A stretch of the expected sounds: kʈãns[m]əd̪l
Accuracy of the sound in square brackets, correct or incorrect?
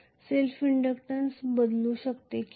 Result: incorrect